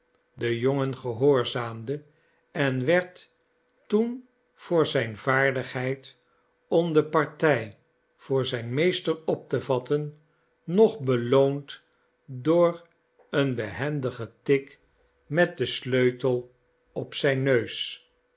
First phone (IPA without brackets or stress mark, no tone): d